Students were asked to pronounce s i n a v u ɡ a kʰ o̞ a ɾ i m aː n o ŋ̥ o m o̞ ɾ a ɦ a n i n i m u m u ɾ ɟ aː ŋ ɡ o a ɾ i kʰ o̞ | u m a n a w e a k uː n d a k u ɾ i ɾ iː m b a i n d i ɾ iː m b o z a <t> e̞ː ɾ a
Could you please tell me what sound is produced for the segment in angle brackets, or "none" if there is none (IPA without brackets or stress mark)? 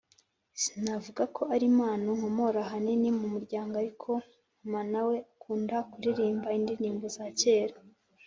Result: c